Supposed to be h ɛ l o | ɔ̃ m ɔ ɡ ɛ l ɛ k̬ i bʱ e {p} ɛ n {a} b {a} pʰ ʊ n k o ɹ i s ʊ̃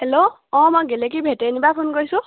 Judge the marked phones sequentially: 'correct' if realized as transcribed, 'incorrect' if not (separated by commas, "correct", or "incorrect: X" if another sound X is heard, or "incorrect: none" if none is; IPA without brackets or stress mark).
incorrect: t, incorrect: i, correct